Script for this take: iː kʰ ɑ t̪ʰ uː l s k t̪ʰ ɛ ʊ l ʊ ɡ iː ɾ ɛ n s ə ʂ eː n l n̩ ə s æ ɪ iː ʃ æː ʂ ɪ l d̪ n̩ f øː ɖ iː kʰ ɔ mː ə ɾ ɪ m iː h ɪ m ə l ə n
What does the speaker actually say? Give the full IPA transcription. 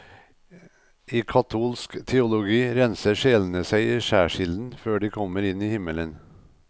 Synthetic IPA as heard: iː kʰ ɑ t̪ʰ uː l s k t̪ʰ ɛ ʊ l ʊ ɡ iː ɾ ɛ n s ə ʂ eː l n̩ ə s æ ɪ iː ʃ æː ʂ ɪ l d̪ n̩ f øː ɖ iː kʰ ɔ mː ə ɾ ɪ n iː h ɪ m ə l ə n